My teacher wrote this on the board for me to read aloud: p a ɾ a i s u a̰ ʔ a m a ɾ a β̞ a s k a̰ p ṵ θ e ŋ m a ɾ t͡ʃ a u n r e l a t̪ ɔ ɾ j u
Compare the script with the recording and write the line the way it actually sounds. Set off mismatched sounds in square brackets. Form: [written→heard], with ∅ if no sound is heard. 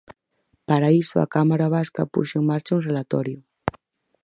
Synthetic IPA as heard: p a ɾ a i s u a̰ [ʔ→k] a m a ɾ a β̞ a s k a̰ p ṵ [θ→ʃ] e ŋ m a ɾ t͡ʃ a u n r e l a t̪ ɔ ɾ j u